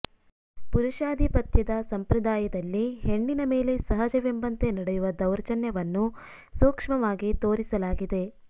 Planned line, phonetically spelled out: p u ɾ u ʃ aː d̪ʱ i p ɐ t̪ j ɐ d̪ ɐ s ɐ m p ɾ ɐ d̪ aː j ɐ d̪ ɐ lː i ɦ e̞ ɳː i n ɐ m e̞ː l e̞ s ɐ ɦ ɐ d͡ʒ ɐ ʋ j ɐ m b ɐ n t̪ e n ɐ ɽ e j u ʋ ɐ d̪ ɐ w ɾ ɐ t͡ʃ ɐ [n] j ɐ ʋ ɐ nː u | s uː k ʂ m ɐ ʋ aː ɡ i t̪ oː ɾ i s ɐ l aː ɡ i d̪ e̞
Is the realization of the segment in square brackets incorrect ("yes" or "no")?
no